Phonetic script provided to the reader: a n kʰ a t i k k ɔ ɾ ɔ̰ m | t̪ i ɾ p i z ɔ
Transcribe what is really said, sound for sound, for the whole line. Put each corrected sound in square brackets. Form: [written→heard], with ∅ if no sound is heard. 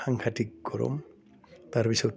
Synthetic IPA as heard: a [n→ŋ] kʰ a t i k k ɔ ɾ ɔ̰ m | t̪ [i→a] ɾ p i [z→s] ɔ